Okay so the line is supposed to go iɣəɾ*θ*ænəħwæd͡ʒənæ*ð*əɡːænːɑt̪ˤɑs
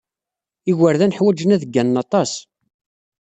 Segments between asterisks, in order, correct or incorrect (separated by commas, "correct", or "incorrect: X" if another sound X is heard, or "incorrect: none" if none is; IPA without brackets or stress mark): incorrect: ð, correct